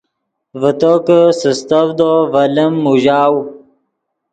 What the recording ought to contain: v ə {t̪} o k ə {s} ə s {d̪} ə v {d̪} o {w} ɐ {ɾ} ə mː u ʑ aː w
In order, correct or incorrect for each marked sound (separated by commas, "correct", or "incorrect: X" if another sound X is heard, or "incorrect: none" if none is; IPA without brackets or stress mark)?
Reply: correct, correct, incorrect: t̪, correct, incorrect: v, incorrect: l